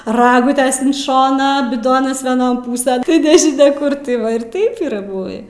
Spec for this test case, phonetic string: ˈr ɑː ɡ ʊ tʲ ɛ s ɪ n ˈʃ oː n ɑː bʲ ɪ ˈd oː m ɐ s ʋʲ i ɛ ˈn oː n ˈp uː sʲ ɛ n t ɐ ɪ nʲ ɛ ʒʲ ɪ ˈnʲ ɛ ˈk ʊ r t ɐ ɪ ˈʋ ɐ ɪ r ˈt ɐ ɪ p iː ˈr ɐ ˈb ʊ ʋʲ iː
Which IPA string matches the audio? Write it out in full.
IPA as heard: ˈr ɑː ɡ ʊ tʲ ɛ s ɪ n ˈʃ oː n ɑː bʲ ɪ ˈd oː n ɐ s ʋʲ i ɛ ˈn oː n ˈp uː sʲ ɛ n t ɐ ɪ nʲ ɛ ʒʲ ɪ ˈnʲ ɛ ˈk ʊ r t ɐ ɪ ˈʋ ɐ ɪ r ˈt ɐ ɪ p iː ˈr ɐ ˈb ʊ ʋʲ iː